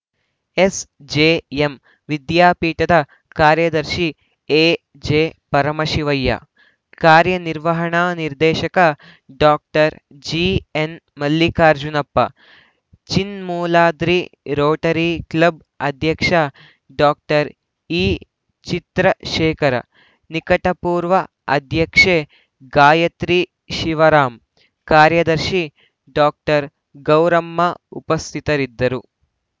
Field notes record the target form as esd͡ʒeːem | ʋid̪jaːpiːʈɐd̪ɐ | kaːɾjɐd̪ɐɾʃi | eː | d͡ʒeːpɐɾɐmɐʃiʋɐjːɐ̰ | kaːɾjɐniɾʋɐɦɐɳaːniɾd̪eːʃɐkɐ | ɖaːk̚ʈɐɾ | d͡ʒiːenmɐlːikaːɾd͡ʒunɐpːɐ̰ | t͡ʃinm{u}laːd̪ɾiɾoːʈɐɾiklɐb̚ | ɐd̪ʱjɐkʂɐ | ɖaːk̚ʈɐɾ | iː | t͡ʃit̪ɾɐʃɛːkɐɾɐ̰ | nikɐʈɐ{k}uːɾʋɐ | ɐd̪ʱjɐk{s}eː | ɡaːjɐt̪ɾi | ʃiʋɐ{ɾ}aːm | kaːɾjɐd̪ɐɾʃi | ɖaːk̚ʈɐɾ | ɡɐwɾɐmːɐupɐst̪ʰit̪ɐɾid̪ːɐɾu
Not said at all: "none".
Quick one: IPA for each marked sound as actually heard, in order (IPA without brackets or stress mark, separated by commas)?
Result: uː, p, ʂ, ɾ